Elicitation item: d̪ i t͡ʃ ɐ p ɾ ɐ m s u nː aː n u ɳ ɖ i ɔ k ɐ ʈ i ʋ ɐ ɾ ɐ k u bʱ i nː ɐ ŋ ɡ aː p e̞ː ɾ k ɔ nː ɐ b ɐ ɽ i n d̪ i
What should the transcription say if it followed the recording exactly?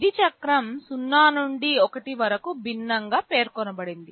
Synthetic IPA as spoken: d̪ i t͡ʃ ɐ k ɾ ɐ m s u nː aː n u ɳ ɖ i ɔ k ɐ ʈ i ʋ ɐ ɾ ɐ k u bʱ i nː ɐ ŋ ɡ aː p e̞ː ɾ k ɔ n ɐ b ɐ ɽ i n d̪ i

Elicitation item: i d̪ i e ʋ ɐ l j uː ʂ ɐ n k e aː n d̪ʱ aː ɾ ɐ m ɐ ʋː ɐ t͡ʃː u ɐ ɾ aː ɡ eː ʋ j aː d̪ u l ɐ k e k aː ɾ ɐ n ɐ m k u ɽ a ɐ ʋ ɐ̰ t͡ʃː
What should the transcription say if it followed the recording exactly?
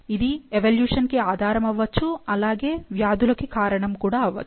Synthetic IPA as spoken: i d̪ i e ʋ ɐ l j uː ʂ ɐ n k e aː d̪ʱ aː ɾ ɐ m ɐ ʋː ɐ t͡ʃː u ɐ l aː ɡ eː ʋ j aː d̪ u l ɐ k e k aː ɾ ɐ ɳ ɐ m k uː ɽ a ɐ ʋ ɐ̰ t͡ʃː

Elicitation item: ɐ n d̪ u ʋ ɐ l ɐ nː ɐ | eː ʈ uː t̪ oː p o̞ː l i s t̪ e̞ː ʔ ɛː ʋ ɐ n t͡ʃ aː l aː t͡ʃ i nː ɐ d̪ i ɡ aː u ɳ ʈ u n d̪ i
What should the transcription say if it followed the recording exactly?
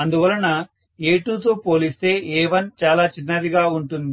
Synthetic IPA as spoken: ɐ n d̪ u ʋ ɐ l ɐ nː ɐ | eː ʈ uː t̪ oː p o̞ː l i s t̪ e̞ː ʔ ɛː ʋ ɐ n t͡ʃ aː l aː t͡ʃ i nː ɐ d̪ i ɡ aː u ɳ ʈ u n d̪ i

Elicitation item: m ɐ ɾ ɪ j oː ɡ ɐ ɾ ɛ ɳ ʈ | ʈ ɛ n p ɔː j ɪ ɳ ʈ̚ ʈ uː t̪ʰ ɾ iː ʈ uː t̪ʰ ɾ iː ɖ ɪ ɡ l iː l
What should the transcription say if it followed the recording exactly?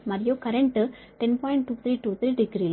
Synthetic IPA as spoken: m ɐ ɾ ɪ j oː k ɐ ɾ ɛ ɳ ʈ | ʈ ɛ n p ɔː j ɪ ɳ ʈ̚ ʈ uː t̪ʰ ɾ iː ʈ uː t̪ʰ ɾ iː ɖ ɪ ɡ ɾ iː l

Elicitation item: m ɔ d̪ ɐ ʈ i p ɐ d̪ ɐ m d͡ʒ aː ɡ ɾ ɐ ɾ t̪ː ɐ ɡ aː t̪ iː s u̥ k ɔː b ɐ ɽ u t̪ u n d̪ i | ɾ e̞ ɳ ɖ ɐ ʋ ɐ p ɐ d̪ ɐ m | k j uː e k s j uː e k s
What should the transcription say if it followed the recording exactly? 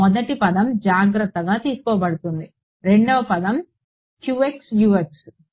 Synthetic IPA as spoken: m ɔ d̪ ɐ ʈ i p ɐ d̪ ɐ m d͡ʒ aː ɡ ɾ ɐ t̪ː ɐ ɡ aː t̪ iː s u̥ k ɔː b ɐ ɽ u t̪ u n d̪ i | ɾ e̞ ɳ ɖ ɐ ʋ ɐ p ɐ d̪ ɐ m | k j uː e k s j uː e k s

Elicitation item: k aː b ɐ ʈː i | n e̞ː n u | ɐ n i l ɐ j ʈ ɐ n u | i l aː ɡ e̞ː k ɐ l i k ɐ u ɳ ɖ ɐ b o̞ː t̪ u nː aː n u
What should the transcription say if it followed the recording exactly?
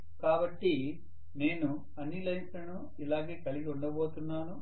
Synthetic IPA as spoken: k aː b ɐ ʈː i | n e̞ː n u | ɐ n i l ɐ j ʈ ɐ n u | i l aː ɡ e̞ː k ɐ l i ɡ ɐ u ɳ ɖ ɐ b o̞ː t̪ u nː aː n u

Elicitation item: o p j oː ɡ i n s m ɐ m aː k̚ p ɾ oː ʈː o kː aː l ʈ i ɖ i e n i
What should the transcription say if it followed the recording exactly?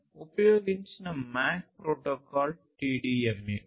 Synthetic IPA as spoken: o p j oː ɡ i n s n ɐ m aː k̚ p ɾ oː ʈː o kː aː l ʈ i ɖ i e m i

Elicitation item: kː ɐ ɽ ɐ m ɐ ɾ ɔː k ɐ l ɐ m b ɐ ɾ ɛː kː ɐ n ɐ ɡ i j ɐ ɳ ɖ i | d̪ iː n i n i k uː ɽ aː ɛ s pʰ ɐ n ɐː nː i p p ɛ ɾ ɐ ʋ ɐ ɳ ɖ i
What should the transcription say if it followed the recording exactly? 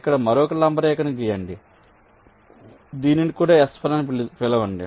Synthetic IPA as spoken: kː ɐ ɽ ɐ m ɐ ɾ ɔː k ɐ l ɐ m b ɐ ɾ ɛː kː ɐ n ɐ ɡ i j ɐ ɳ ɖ i | d̪ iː n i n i k uː ɽ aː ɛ s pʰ ɐ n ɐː n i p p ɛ l ɐ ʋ ɐ ɳ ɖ i

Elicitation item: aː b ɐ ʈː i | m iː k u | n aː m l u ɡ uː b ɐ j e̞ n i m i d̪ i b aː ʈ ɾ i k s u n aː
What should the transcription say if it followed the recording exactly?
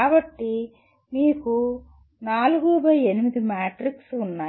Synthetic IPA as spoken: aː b ɐ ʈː i | m iː k u | n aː l u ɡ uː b ɐ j e̞ n i m i d̪ i m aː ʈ ɾ i k s u nː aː

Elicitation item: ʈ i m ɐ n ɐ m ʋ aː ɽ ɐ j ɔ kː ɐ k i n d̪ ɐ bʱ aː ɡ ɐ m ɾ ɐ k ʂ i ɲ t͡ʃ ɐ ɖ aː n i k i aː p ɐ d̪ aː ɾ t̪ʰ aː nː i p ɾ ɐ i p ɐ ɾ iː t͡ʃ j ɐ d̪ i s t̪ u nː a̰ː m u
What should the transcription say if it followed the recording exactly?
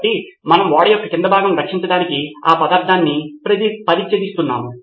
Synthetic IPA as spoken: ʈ i m ɐ n ɐ m ʋ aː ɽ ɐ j ɔ kː ɐ k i n d̪ ɐ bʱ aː ɡ ɐ m ɾ ɐ k ʂ i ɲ t͡ʃ ɐ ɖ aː n i k i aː p ɐ d̪ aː ɾ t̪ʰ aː nː i p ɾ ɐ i p ɐ ɾ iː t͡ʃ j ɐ d̪ i s t̪ u nː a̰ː m u

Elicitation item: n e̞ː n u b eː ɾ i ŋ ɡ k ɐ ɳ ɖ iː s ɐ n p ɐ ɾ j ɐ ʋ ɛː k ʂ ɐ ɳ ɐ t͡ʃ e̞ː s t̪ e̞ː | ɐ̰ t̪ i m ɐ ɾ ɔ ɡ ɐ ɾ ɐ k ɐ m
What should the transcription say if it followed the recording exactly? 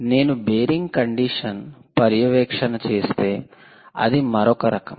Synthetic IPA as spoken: n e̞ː n u b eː ɾ i ŋ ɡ k ɐ ɳ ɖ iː ʂ ɐ n p ɐ ɾ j ɐ ʋ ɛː k ʂ ɐ n ɐ t͡ʃ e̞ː s t̪ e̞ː | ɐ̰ d̪ i m ɐ ɾ ɔ k ɐ ɾ ɐ k ɐ m

